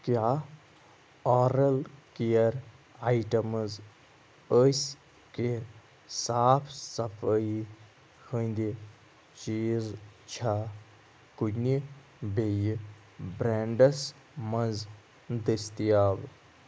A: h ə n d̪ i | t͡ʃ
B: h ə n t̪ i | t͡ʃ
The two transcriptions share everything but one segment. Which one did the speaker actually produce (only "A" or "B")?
A